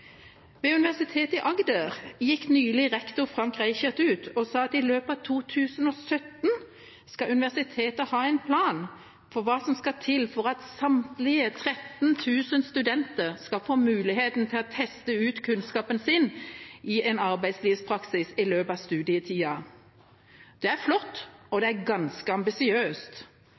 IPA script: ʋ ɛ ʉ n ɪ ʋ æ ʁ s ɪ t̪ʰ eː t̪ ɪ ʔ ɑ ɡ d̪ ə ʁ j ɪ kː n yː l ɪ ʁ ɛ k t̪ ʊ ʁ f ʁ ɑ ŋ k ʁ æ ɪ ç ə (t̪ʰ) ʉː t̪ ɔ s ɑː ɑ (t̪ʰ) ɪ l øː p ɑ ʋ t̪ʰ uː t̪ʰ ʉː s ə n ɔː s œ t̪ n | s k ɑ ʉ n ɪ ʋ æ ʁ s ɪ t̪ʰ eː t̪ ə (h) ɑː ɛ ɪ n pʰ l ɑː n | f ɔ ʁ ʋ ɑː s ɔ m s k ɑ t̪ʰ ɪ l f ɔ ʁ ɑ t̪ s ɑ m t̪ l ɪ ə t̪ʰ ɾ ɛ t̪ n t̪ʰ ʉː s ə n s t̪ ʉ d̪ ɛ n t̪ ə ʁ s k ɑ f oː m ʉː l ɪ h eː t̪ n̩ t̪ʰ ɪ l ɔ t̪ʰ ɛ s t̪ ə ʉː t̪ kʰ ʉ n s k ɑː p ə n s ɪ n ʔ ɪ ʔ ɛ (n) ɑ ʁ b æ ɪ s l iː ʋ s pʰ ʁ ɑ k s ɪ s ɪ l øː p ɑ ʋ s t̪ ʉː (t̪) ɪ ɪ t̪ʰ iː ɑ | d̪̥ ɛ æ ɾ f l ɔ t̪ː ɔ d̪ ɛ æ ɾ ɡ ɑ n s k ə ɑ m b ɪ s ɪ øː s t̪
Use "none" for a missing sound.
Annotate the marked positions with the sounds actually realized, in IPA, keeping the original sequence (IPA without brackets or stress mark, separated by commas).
t̪, t̪, h, n, d̪